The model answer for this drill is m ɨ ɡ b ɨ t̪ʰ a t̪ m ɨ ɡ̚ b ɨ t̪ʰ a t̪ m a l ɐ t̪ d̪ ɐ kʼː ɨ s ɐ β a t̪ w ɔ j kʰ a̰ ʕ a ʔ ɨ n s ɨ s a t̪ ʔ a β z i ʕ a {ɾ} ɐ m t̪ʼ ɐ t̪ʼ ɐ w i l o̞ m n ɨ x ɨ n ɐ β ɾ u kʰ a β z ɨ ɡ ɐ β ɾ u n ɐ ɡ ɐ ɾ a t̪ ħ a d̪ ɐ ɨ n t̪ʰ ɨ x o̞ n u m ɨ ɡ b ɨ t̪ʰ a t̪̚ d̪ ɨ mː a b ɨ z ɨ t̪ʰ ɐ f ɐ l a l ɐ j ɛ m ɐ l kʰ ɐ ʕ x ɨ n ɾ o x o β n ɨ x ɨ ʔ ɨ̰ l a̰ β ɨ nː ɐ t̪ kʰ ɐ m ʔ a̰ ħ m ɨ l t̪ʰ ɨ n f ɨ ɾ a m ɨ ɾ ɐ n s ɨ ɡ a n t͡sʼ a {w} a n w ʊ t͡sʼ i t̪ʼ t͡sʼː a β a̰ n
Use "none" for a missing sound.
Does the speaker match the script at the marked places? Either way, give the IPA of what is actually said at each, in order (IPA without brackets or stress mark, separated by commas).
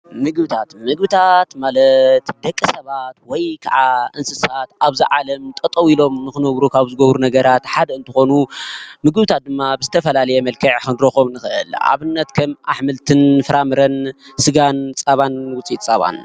l, β